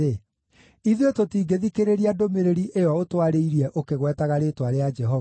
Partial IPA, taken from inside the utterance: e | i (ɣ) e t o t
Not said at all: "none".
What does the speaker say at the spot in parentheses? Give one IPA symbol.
ð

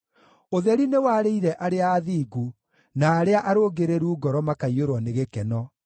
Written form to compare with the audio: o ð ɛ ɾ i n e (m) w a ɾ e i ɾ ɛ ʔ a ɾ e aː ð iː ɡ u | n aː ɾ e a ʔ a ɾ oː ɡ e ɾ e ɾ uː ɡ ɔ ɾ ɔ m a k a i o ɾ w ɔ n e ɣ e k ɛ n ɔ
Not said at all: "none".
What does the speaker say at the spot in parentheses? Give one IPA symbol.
none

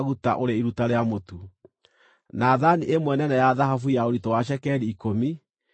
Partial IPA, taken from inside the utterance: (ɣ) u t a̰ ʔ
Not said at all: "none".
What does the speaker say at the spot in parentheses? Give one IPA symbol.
ɣ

